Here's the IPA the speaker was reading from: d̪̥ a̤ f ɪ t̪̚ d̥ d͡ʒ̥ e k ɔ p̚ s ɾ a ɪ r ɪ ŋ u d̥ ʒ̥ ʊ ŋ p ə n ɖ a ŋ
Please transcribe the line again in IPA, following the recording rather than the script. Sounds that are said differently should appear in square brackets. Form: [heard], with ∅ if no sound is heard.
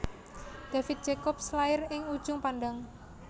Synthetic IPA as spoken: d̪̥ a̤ f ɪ t̪̚ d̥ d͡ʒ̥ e k ɔ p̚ s [l] a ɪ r ɪ ŋ u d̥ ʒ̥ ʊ ŋ p [a] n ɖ a ŋ